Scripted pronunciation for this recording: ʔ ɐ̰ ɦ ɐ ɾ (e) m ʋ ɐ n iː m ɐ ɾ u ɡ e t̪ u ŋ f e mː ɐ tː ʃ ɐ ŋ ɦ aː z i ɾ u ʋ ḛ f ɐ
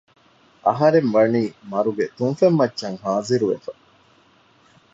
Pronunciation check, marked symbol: correct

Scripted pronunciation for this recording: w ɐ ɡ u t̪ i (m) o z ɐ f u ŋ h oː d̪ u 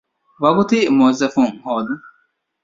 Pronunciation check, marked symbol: correct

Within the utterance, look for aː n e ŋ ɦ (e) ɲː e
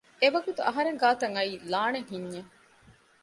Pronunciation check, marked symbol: incorrect: i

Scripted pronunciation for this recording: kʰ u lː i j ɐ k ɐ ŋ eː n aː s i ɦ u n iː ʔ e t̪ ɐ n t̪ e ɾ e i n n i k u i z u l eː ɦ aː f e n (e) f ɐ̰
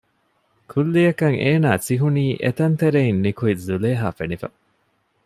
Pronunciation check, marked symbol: incorrect: i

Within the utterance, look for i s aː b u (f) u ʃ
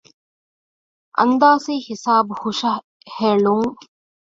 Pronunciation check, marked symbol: incorrect: h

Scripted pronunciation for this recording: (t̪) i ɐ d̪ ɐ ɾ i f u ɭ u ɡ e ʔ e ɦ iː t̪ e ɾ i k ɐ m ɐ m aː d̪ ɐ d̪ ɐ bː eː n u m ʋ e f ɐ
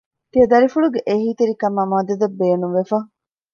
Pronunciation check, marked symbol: correct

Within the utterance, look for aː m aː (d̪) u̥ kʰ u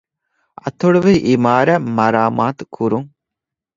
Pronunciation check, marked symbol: incorrect: t̪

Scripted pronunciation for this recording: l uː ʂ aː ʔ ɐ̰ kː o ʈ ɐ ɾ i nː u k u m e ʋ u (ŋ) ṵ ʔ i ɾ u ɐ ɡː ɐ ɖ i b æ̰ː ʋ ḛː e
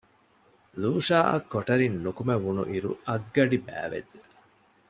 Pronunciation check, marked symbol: incorrect: n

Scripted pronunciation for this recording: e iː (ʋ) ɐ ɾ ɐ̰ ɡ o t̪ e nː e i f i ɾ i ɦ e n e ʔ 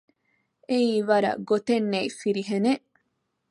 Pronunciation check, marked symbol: correct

